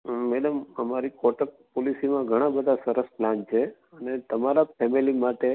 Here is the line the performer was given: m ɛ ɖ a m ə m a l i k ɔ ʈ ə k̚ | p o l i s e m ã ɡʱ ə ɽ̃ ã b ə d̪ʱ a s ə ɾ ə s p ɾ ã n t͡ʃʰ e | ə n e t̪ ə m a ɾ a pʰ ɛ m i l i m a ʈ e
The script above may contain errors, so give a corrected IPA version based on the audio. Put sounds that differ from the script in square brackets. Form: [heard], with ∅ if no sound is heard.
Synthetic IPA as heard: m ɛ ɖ [ə] m ə m a [ɾ] i k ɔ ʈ ə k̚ | p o l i s [i] m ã ɡʱ ə ɽ̃ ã b ə d̪ʱ a s ə ɾ ə s p [l] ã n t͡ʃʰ e | ə n e t̪ ə m a ɾ a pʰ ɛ m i l i m a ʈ e